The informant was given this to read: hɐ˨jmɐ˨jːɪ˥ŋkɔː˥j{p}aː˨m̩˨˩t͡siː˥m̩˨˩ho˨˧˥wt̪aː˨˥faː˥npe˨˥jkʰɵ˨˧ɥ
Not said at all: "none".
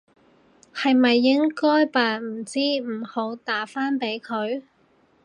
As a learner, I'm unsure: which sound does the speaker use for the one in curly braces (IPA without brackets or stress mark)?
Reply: p